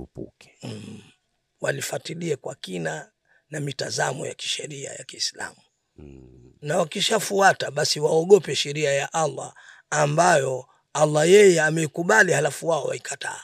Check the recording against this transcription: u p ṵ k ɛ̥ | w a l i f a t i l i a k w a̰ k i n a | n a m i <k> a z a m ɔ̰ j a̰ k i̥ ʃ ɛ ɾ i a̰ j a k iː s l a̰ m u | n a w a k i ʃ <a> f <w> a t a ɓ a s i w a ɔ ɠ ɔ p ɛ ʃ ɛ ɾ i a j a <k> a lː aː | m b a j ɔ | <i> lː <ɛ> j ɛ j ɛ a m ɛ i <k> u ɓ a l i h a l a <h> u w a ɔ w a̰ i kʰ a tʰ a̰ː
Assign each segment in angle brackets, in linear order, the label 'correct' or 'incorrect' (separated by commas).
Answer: incorrect, correct, incorrect, incorrect, incorrect, incorrect, correct, incorrect